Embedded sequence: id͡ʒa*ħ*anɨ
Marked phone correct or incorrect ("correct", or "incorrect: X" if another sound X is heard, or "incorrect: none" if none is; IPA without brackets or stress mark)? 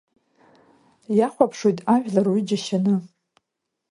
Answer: incorrect: ʃ